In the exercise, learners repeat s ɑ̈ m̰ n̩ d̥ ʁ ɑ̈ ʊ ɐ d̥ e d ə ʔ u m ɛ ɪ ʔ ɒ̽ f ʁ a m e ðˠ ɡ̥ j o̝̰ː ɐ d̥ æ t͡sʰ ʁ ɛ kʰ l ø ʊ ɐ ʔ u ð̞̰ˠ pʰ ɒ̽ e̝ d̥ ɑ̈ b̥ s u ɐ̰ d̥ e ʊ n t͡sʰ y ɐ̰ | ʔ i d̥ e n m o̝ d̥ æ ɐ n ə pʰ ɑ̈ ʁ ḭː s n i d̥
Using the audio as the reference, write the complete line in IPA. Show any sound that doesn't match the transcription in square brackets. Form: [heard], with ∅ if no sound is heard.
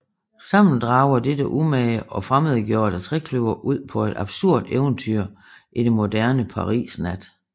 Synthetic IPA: s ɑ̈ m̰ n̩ d̥ ʁ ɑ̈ ʊ ɐ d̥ e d ə ʔ u m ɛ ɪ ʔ ɒ̽ f ʁ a m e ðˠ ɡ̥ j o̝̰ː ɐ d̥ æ t͡sʰ ʁ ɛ kʰ l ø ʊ ɐ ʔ u ð̞̰ˠ pʰ ɒ̽ e̝ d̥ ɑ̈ b̥ s u ɐ̰ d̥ e ʊ n t͡sʰ y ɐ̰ | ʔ i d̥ e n m o̝ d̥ æ ɐ n ə pʰ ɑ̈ ʁ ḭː s n [æ] d̥